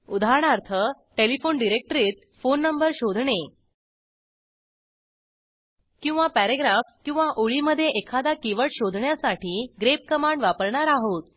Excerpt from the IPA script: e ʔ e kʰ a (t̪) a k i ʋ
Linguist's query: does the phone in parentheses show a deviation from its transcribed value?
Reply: yes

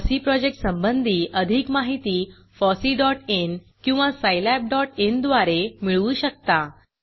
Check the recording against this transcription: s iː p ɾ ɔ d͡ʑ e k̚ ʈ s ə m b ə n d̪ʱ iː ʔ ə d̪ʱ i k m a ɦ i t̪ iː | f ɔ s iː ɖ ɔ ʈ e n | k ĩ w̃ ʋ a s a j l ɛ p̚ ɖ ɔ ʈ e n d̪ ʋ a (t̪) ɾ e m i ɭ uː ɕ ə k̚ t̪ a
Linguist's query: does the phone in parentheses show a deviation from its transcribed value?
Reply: yes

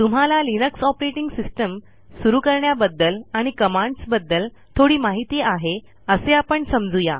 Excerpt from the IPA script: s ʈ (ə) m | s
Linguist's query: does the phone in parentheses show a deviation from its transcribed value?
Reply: no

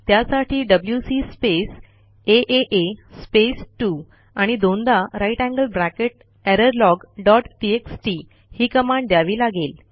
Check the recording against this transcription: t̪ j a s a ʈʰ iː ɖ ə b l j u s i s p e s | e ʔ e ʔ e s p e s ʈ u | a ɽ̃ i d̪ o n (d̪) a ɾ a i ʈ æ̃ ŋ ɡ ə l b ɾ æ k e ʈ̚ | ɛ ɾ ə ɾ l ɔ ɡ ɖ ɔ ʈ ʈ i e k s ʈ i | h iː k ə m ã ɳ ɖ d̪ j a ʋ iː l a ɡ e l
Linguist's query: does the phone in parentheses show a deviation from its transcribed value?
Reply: no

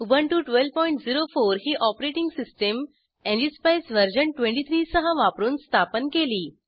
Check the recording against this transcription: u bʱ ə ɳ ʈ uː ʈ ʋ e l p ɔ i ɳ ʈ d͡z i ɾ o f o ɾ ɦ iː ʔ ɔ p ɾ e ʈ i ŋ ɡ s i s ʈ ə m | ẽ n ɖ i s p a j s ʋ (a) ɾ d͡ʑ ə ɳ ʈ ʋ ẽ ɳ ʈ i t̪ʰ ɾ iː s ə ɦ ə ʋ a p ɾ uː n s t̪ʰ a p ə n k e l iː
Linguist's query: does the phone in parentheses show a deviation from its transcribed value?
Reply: yes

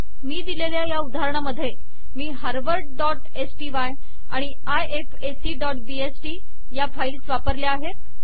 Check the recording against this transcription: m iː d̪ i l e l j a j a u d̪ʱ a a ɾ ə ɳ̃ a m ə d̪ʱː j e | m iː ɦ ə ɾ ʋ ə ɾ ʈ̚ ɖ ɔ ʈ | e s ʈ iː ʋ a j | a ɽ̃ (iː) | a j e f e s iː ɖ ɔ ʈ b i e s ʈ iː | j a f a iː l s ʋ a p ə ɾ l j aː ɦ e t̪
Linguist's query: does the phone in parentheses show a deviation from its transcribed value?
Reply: yes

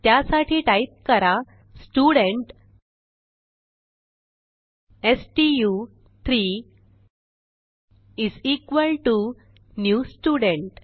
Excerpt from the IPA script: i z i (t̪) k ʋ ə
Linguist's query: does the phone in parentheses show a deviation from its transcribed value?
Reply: yes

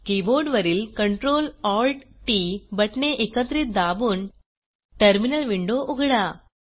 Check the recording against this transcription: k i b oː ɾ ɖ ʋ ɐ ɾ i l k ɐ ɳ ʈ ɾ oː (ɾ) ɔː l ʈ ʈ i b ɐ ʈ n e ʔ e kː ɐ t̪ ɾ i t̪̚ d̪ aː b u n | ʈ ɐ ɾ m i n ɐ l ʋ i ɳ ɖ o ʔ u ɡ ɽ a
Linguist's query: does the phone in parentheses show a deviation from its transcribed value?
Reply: yes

